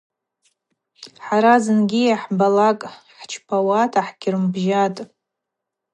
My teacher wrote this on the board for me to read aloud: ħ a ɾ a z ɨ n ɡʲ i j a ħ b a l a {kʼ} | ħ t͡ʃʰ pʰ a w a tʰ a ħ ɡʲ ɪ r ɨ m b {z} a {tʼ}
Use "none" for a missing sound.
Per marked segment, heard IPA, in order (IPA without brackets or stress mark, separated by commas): kʼ, ʒ, tʼ